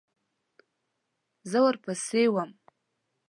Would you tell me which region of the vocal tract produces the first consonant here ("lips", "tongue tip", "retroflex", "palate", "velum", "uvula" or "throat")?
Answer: tongue tip